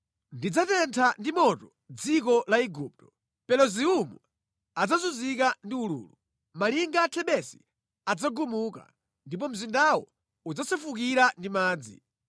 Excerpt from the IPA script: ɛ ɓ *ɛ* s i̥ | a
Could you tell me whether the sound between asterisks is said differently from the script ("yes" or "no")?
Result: no